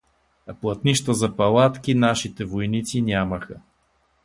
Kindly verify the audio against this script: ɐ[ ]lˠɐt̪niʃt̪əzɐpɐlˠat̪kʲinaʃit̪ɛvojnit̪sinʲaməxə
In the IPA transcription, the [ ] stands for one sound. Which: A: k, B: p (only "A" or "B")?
B